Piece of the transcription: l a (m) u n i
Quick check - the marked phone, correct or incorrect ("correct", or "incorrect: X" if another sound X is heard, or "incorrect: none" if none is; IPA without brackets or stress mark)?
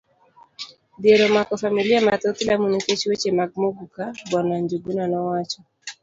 correct